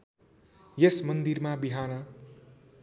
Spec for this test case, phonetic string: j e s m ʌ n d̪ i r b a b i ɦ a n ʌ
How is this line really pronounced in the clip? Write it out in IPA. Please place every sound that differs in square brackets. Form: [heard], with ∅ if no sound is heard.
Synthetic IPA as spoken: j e s m ʌ n d̪ i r [m] a b i ɦ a n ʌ